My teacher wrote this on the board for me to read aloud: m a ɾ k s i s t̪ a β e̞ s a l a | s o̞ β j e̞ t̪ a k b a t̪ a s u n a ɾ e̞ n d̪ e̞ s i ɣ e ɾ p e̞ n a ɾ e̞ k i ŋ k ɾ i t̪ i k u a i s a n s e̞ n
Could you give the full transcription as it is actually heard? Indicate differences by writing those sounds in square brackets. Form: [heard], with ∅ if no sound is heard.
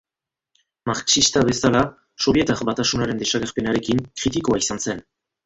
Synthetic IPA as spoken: m a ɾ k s i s t̪ a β e̞ s a l a | s o̞ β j e̞ t̪ a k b a t̪ a s u n a ɾ e̞ n d̪ e̞ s [a] ɣ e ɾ p e̞ n a ɾ e̞ k i ŋ k ɾ i t̪ i k [o] a i s a n s e̞ n